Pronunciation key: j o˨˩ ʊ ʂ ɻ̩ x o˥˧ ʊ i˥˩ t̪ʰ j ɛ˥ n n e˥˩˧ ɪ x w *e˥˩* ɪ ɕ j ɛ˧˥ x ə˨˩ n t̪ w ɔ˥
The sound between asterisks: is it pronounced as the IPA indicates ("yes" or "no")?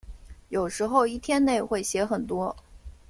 yes